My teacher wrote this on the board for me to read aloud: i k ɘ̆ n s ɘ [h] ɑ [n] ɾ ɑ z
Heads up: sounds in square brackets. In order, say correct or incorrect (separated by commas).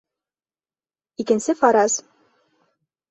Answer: incorrect, incorrect